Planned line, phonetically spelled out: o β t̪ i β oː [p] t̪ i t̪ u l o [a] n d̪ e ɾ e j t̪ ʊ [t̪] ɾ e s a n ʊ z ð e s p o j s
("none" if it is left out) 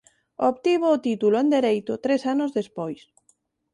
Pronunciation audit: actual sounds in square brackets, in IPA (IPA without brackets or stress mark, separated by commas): none, e, t̪